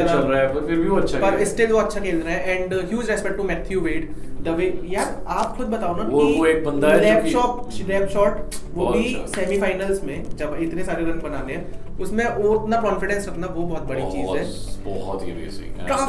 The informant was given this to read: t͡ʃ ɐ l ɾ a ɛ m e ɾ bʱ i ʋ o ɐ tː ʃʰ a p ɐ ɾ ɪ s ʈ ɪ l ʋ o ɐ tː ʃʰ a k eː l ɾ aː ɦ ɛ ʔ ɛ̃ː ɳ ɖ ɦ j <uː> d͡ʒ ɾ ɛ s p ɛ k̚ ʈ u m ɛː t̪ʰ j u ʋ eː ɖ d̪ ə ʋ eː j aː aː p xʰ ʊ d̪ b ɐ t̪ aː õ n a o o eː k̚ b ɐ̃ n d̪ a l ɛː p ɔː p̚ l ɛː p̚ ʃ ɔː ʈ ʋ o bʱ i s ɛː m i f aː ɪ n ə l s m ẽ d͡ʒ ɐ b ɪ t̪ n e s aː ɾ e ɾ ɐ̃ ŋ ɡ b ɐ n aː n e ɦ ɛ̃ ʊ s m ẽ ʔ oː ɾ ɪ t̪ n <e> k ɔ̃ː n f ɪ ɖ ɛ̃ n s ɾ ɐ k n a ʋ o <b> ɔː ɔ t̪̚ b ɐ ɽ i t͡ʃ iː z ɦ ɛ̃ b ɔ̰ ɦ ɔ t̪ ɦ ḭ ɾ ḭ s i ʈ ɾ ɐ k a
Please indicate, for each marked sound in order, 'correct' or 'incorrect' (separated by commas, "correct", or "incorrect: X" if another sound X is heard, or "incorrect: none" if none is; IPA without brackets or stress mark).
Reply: correct, incorrect: a, correct